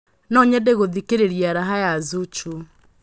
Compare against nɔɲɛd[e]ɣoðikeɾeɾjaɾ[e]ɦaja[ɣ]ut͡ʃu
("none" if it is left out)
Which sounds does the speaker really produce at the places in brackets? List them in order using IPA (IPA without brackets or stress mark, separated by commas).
e, a, z